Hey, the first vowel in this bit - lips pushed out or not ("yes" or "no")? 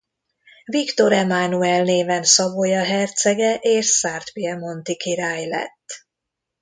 no